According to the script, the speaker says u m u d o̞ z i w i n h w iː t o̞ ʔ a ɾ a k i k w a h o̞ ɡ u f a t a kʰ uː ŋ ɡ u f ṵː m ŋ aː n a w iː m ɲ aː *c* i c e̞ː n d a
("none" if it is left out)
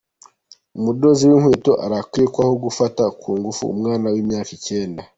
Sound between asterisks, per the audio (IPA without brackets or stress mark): k